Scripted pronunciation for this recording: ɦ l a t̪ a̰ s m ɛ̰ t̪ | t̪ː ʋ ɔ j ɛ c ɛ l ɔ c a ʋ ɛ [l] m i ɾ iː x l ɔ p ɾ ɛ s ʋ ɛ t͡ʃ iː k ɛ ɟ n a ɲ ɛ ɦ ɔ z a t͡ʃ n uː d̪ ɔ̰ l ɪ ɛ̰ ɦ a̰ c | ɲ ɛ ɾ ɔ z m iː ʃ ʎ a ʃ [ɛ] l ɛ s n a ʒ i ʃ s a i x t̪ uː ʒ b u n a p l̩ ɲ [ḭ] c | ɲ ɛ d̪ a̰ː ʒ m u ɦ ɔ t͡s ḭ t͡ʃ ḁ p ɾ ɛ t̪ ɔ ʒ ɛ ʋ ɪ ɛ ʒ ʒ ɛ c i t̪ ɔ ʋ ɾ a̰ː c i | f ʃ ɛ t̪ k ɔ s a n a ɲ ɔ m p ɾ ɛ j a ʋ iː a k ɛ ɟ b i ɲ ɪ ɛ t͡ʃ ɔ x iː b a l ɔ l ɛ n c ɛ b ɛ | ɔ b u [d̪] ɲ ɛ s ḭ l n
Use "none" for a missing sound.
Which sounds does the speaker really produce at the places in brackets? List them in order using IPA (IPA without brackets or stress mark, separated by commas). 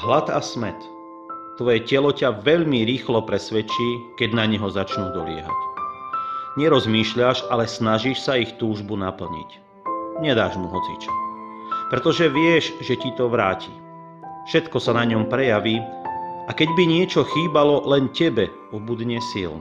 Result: ʎ, a, ḭ, d̪